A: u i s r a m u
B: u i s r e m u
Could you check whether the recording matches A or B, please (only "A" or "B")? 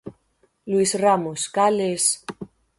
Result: A